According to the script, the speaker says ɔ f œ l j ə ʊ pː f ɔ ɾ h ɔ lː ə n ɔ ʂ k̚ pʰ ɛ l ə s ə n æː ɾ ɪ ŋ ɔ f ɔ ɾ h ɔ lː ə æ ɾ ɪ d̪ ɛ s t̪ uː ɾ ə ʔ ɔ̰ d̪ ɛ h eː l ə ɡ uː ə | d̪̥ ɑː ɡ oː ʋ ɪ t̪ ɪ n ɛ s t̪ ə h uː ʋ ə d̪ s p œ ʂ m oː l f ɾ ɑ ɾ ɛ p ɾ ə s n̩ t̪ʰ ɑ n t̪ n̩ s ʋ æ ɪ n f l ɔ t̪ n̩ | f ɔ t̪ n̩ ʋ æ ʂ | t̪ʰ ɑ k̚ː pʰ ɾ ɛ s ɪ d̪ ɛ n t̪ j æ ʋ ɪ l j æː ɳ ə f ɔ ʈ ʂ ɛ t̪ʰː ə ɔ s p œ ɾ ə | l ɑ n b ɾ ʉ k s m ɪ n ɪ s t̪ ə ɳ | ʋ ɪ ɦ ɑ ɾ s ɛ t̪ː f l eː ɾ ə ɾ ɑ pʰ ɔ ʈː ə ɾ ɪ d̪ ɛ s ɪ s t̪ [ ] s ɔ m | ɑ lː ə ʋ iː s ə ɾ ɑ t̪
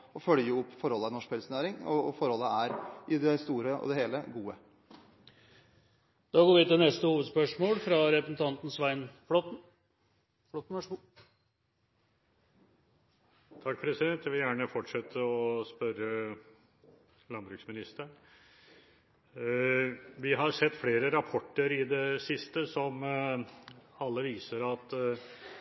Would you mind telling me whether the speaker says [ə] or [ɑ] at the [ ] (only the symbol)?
ə